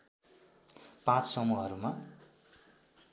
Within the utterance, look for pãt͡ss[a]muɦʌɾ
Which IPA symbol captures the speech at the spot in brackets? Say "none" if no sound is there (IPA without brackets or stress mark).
ʌ